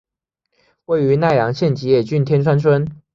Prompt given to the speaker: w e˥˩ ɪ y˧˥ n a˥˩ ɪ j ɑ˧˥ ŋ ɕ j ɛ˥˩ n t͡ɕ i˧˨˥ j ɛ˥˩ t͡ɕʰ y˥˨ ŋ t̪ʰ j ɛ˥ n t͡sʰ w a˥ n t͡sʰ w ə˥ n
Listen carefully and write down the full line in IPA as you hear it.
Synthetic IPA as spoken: w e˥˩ ɪ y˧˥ n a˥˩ ɪ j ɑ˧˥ ŋ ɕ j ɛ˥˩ n t͡ɕ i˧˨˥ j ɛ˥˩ t͡ɕ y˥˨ n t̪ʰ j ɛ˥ n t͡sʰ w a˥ n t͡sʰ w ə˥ n